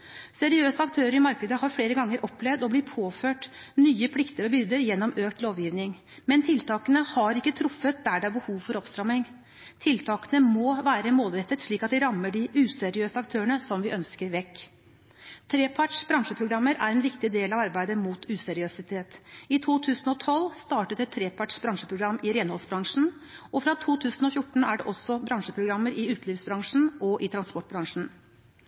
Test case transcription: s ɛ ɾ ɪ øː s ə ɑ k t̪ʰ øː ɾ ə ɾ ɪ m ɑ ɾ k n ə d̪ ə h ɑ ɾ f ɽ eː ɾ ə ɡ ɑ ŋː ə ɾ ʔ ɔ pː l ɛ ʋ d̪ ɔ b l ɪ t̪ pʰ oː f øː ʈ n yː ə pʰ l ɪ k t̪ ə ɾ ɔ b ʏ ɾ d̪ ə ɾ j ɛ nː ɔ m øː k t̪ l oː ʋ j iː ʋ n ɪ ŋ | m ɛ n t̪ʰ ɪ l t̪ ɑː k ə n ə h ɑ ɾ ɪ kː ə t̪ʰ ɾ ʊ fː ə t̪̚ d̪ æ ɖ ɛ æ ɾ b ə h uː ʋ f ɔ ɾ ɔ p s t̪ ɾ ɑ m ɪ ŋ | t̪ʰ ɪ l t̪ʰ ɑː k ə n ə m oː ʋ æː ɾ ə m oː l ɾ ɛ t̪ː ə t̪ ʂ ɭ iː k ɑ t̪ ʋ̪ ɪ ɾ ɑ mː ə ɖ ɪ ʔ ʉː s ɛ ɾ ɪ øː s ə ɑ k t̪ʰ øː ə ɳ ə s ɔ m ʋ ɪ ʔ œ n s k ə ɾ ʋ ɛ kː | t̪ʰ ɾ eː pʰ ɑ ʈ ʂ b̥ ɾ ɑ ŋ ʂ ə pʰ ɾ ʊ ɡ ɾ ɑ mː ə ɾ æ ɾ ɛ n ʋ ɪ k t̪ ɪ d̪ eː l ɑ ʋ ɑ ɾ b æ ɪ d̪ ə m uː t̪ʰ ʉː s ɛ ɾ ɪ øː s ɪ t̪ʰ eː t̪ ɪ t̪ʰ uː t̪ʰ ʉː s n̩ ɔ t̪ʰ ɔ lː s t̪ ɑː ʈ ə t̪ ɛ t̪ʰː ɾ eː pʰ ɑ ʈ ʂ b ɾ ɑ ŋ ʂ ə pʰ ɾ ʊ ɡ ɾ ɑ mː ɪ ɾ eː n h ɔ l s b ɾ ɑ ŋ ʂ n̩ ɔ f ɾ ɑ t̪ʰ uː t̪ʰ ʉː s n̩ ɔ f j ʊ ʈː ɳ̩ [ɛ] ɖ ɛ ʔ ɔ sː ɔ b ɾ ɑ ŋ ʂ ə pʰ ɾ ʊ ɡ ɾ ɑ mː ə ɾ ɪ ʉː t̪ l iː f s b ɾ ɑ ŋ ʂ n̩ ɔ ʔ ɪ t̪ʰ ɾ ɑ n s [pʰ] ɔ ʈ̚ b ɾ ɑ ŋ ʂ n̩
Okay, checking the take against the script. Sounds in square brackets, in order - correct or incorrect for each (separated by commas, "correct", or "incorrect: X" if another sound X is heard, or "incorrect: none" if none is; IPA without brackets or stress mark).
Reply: incorrect: æ, incorrect: p